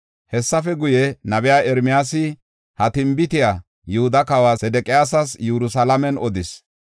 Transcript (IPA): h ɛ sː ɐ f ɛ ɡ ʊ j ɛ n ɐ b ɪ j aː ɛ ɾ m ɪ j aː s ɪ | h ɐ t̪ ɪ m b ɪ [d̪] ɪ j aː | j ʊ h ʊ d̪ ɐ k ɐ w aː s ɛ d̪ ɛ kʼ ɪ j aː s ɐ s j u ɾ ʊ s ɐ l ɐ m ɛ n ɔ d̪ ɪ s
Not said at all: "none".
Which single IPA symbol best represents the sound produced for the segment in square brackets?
t̪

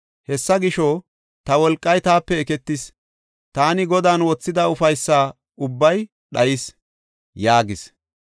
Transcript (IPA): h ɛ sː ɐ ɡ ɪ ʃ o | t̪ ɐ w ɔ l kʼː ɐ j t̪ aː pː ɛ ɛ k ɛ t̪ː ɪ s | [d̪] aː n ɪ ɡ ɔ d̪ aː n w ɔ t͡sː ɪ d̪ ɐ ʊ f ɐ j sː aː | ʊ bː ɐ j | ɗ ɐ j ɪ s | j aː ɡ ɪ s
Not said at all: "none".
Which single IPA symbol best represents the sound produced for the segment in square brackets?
t̪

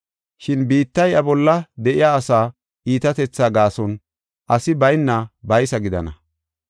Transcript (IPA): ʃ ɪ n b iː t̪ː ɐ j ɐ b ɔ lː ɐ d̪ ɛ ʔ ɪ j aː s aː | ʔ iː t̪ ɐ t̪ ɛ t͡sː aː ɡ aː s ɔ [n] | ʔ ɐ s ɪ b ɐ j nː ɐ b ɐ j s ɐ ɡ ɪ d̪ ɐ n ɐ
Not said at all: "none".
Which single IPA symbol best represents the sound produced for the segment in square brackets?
n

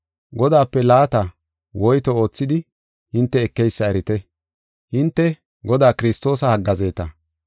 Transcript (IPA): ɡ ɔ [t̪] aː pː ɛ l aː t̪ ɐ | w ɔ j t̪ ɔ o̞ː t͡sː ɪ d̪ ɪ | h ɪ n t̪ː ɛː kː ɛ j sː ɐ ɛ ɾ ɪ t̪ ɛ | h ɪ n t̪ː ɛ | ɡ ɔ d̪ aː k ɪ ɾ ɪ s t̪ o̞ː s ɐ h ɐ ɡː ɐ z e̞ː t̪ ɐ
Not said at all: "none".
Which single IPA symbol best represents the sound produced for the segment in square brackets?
d̪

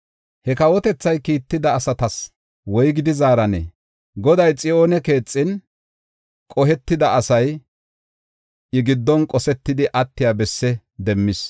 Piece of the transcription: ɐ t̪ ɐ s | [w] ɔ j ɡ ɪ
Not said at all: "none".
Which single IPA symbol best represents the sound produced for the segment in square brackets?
w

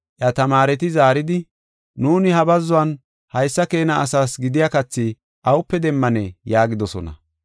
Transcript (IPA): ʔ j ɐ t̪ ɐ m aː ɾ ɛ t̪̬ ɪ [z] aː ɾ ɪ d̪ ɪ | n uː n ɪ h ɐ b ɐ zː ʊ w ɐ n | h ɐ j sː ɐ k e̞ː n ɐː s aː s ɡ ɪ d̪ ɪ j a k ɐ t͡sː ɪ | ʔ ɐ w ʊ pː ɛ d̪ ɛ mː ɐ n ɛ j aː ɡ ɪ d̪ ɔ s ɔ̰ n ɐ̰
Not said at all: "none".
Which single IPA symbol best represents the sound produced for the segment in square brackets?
z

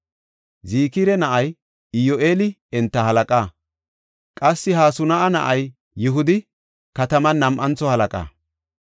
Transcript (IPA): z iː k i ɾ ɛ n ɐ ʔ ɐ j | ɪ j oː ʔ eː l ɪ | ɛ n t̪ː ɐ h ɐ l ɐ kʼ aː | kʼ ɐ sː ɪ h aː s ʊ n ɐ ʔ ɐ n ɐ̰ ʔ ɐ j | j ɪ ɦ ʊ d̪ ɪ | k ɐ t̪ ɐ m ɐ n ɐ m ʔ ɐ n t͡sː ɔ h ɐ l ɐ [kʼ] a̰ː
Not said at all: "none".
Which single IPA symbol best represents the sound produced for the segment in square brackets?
kʼ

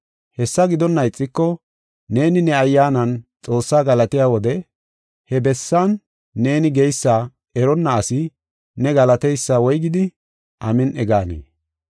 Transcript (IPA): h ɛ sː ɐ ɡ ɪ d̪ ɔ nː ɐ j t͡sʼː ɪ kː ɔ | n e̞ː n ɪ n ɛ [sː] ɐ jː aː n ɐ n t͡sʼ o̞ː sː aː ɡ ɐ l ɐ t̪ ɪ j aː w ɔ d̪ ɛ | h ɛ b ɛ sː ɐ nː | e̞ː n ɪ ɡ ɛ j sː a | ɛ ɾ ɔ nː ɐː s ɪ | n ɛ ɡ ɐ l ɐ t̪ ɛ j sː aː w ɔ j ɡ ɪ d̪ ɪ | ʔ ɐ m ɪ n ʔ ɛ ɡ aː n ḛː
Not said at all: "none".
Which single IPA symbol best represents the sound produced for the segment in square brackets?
none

